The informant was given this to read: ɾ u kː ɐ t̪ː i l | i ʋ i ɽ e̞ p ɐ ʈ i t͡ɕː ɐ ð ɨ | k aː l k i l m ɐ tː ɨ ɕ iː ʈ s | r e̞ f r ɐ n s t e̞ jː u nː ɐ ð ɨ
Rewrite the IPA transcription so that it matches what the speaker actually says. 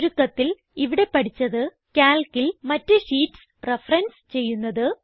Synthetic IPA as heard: ɾ u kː ɐ t̪ː i l | i ʋ i ɽ e̞ p ɐ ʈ i t͡ɕː ɐ ð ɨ | k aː l k i l m ɐ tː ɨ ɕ iː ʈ s | r e̞ f r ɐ n s t͡ɕ e̞ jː u nː ɐ ð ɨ

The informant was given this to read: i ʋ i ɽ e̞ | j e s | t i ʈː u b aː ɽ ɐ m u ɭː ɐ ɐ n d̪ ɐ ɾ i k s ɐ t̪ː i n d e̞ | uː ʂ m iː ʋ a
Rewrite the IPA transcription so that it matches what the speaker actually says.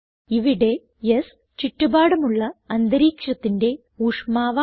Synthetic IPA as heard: i ʋ i ɽ e̞ | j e s | t͡ɕ i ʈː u b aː ɽ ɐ m u ɭː ɐ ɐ n d̪ ɐ ɾ iː k ʂ ɐ t̪ː i n d e̞ | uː ʂ m aː ʋ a

